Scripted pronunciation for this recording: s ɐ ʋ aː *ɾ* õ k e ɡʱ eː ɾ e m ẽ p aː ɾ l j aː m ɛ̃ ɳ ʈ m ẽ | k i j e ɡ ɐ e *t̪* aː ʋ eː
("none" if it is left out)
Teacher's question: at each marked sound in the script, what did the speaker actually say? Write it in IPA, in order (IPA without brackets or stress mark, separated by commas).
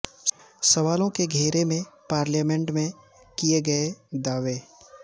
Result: l, d̪